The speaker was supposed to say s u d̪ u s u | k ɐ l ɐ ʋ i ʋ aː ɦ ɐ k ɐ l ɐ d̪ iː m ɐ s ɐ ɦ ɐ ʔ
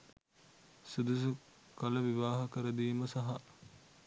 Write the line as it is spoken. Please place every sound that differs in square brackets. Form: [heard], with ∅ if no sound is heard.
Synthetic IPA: s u d̪ u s u | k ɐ l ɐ ʋ i ʋ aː ɦ ɐ k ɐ [ɾ] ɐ d̪ iː m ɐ s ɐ ɦ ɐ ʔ